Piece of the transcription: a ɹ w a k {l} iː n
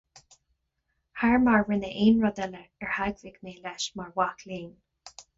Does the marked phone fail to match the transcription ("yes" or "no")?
no